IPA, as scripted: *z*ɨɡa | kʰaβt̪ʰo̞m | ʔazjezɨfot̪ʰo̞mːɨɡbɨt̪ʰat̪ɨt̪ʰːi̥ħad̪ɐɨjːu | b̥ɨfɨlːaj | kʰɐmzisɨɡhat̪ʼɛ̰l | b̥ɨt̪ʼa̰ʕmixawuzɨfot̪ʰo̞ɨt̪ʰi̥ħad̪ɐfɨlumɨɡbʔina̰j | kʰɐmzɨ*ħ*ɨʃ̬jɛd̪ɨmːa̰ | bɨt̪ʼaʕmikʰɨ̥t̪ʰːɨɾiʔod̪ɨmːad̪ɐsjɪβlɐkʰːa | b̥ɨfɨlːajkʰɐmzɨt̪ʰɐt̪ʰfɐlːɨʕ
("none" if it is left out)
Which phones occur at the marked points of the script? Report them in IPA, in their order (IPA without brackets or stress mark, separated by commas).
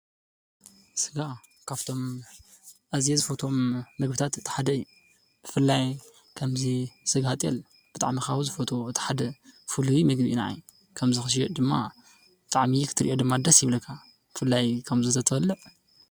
s, x